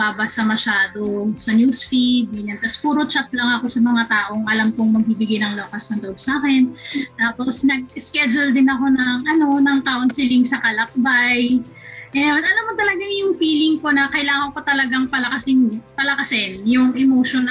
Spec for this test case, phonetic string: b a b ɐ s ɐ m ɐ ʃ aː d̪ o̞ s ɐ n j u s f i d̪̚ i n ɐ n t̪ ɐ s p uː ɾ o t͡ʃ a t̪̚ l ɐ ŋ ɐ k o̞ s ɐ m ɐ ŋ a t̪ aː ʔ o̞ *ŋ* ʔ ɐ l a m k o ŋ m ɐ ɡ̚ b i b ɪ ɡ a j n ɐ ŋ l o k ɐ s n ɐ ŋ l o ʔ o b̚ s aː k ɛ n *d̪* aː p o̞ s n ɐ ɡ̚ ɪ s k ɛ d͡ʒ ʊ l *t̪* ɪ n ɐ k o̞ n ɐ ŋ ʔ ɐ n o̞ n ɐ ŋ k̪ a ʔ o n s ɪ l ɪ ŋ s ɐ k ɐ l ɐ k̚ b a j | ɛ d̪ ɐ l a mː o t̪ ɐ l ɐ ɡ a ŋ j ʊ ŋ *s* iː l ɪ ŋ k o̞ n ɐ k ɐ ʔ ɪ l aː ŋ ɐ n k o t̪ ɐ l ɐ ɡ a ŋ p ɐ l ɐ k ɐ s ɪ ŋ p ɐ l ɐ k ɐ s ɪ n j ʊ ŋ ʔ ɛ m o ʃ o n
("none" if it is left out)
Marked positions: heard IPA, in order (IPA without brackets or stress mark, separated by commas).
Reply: ŋ, t̪, d̪, f